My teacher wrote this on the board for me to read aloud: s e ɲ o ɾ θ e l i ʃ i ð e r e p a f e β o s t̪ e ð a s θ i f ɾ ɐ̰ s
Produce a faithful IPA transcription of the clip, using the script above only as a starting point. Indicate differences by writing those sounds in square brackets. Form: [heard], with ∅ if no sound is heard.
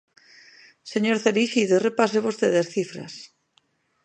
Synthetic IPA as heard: s e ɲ o ɾ θ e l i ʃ i ð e r e p a [s] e β o s t̪ e ð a s θ i f ɾ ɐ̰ s